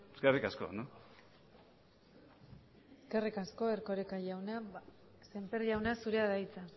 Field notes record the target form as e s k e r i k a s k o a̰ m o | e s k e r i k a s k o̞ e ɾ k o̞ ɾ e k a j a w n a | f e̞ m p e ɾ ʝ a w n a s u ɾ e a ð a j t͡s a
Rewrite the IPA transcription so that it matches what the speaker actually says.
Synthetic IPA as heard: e s k e r i k a s k o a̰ n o | e s k e r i k a s k o̞ e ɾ k o̞ ɾ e k a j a w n a | s e̞ m p e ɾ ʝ a w n a s u ɾ e a ð a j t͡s a

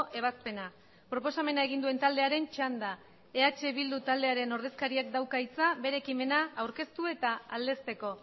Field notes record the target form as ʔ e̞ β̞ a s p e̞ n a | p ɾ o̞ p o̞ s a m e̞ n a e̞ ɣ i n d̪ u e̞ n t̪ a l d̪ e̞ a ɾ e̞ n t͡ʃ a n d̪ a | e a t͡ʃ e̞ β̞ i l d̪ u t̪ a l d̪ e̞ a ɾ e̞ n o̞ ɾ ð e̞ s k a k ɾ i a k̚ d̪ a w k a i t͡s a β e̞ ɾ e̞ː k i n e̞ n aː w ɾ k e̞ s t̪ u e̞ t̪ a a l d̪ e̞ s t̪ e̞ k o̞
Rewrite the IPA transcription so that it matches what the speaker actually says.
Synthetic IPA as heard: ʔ e̞ β̞ a s p e̞ n a | p ɾ o̞ p o̞ s a m e̞ n a e̞ ɣ i n d̪ u e̞ n t̪ a l d̪ e̞ a ɾ e̞ n t͡ʃ a n d̪ a | e a t͡ʃ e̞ β̞ i l d̪ u t̪ a l d̪ e̞ a ɾ e̞ n o̞ ɾ ð e̞ s k a ɾ i a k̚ d̪ a w k a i t͡s a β e̞ ɾ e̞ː k i m e̞ n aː w ɾ k e̞ s t̪ u e̞ t̪ a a l d̪ e̞ s t̪ e̞ k o̞

